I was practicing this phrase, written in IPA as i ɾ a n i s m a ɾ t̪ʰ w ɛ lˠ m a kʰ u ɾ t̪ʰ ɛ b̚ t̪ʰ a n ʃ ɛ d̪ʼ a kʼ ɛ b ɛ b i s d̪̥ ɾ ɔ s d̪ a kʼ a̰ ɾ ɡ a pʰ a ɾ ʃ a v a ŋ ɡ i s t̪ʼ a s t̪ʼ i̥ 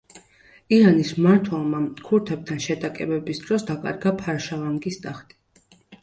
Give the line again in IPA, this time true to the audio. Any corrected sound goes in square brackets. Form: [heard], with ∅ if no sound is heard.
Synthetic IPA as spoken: i ɾ a n i s m a ɾ t̪ʰ w ɛ lˠ m a kʰ u ɾ t̪ʰ ɛ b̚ t̪ʰ a n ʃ ɛ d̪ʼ a kʼ ɛ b ɛ b i s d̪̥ ɾ ɔ s d̪ a kʼ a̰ ɾ ɡ a pʰ a ɾ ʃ a v a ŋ ɡ i s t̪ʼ a [χ] t̪ʼ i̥